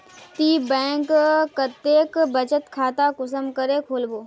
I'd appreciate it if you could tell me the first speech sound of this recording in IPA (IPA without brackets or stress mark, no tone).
t̪